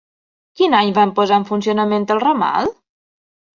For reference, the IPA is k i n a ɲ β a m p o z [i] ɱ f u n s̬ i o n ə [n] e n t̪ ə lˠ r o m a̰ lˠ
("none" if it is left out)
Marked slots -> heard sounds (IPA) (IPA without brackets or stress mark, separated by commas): a, m